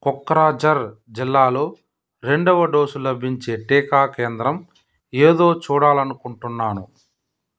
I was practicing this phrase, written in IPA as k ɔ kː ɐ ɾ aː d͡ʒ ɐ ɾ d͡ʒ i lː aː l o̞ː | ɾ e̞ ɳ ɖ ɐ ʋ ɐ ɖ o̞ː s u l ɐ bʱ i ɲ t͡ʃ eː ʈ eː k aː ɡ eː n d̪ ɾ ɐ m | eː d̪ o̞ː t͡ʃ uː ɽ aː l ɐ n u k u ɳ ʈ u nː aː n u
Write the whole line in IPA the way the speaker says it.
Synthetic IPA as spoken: k ɔ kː ɐ ɾ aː d͡ʒ ɐ ɾ d͡ʒ i lː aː l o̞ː | ɾ e̞ ɳ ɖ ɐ ʋ ɐ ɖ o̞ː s u l ɐ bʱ i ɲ t͡ʃ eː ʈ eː k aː k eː n d̪ ɾ ɐ m | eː d̪ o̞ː t͡ʃ uː ɽ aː l ɐ n u k u ɳ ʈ u nː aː n u